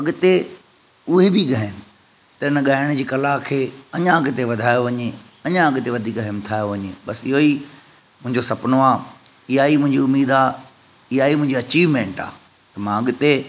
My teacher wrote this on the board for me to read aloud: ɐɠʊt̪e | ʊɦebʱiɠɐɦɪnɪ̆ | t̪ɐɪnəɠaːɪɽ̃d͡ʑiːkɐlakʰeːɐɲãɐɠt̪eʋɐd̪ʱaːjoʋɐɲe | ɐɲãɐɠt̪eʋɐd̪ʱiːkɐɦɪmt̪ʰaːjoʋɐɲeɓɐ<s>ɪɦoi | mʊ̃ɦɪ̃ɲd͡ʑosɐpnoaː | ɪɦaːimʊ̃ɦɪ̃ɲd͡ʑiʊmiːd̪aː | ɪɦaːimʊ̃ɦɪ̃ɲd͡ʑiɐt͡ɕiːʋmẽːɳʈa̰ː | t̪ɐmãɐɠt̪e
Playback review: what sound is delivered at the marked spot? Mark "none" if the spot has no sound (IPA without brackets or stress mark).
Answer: s